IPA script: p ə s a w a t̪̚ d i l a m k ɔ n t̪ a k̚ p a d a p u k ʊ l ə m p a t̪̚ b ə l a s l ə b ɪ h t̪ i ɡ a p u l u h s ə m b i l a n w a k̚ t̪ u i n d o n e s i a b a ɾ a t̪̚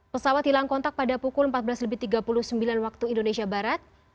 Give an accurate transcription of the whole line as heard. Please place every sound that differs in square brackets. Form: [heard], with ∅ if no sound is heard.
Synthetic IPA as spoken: p ə s a w a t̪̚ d i l a [ŋ] k ɔ n t̪ a k̚ p a d a p u k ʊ l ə m p a t̪̚ b ə l a s l ə b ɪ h t̪ i ɡ a p u l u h s ə m b i l a n w a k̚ t̪ u i n d o n e s i a b a ɾ a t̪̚